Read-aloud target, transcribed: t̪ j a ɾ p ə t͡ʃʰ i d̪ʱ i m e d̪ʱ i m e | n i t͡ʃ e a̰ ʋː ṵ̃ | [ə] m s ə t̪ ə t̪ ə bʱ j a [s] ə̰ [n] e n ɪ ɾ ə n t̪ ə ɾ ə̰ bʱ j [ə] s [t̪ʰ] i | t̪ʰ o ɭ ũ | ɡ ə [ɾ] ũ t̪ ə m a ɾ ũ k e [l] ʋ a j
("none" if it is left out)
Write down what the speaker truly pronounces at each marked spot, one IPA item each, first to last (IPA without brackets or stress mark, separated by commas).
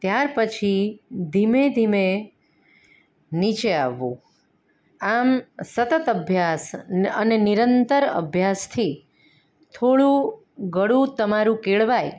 a, s, n, a, t̪ʰ, ɽ, ɭ